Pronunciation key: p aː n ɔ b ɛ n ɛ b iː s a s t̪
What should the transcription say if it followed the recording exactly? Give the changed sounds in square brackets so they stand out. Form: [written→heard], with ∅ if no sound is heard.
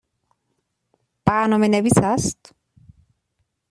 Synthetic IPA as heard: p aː n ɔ [b→m] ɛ n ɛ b [iː→i] s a s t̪